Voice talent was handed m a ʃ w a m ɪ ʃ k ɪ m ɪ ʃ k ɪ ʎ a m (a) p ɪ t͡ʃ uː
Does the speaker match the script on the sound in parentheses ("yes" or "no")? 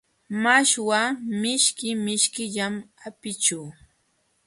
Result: yes